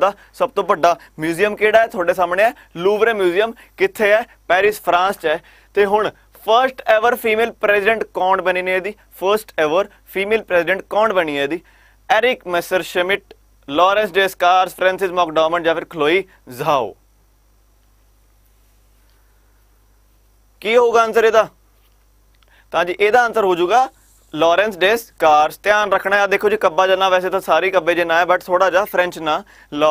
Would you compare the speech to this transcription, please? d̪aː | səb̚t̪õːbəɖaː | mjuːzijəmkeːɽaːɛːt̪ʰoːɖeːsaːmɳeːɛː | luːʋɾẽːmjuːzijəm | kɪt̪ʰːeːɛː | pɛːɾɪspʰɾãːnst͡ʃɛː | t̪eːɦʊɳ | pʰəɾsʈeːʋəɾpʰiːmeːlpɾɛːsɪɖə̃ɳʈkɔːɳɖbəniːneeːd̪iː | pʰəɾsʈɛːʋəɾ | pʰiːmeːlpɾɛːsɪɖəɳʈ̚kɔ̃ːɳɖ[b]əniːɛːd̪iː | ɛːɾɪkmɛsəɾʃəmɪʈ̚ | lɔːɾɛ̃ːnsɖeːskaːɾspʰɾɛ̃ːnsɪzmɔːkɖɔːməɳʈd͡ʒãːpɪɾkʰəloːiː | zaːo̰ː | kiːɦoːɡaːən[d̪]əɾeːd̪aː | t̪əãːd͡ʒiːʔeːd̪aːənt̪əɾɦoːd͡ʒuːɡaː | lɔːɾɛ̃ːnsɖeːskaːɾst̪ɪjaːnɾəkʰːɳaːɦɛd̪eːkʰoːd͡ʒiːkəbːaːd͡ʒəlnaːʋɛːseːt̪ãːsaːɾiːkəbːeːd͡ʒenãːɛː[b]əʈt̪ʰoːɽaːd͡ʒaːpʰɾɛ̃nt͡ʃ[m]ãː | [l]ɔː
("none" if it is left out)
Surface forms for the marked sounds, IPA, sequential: b, t̪, b, n, l

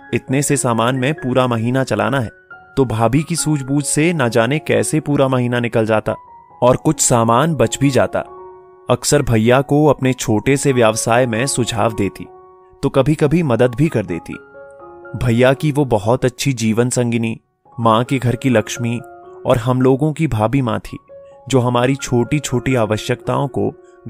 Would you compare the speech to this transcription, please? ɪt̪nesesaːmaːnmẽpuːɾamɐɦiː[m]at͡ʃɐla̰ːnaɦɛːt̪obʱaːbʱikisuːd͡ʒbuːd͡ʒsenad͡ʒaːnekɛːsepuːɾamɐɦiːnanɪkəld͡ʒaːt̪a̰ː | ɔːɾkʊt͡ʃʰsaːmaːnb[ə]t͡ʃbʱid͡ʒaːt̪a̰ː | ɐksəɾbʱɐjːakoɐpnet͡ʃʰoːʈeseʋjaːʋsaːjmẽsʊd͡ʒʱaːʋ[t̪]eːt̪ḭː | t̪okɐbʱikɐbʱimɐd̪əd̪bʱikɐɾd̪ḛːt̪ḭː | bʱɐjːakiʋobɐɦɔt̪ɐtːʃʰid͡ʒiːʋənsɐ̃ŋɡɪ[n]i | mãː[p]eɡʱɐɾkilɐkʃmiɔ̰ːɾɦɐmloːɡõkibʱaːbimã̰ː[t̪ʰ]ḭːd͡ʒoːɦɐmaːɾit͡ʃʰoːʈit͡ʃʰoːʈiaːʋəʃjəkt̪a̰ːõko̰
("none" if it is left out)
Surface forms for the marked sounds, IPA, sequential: n, ɐ, d̪, n, k, t̪ʰ

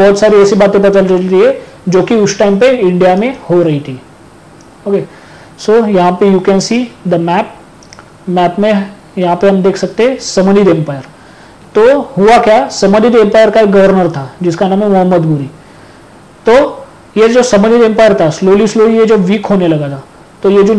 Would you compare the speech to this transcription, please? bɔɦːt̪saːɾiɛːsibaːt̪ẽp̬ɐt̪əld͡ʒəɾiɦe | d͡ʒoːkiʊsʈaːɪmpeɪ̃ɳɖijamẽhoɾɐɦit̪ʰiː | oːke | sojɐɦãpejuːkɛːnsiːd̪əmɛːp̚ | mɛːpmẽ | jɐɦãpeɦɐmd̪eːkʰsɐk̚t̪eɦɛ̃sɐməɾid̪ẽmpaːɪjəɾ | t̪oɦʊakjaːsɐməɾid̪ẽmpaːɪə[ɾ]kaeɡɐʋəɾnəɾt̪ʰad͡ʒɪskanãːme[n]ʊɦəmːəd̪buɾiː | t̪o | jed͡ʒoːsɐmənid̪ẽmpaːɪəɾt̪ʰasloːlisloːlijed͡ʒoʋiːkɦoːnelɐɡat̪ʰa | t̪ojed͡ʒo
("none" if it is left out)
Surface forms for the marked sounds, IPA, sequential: ɾ, m

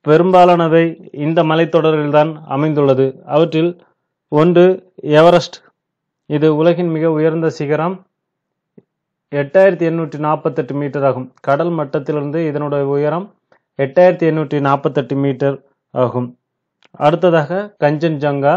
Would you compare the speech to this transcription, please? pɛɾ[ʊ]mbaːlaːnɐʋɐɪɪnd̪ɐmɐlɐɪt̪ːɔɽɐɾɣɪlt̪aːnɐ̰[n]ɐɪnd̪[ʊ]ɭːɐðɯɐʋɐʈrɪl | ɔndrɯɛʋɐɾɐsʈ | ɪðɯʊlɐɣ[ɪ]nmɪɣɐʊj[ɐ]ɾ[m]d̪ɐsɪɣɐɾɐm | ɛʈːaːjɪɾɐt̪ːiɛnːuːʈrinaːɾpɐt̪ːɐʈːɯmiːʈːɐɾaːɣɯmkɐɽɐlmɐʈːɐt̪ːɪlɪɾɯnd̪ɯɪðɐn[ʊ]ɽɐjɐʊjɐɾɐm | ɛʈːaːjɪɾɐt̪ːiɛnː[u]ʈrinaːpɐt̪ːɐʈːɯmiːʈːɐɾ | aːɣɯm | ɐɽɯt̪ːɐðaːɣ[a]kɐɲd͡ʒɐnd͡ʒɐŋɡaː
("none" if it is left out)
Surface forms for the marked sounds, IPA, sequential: ɯ, m, ɯ, ɪ, ɐ, n, ɯ, uː, ɐ

